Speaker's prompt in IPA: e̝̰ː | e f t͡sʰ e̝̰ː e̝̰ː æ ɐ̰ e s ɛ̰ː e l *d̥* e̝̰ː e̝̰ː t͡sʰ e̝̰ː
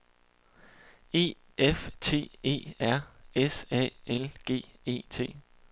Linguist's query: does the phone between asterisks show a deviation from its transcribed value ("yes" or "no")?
yes